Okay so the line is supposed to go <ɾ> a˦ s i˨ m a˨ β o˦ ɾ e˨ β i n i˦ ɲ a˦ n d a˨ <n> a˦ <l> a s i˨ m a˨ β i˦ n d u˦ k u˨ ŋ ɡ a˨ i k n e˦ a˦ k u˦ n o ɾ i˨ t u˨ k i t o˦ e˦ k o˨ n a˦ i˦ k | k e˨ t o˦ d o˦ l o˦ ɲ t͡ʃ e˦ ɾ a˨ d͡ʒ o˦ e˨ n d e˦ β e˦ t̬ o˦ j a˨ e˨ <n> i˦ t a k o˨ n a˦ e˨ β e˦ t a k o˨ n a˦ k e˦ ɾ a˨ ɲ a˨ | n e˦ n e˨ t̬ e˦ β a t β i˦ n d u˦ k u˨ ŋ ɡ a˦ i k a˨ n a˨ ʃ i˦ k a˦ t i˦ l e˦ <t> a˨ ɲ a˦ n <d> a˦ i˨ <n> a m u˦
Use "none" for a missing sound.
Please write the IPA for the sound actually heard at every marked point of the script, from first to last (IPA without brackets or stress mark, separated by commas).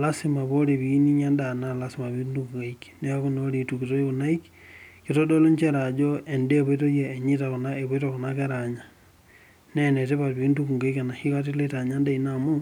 l, n, l, ɲ, t, d, n